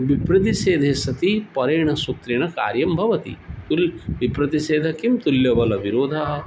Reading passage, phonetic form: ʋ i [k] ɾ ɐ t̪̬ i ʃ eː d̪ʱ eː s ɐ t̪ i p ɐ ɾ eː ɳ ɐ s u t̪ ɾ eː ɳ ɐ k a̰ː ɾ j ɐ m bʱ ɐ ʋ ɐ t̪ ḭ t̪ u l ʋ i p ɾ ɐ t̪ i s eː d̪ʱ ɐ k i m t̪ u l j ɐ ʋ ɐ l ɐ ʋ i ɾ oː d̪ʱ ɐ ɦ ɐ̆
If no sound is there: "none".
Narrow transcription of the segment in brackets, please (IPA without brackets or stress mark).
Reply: p